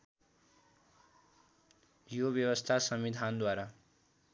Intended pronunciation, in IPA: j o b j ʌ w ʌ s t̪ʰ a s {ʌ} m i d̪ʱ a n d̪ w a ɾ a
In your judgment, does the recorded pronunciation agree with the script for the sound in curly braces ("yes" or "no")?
yes